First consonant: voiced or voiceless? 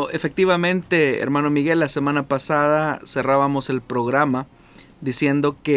voiceless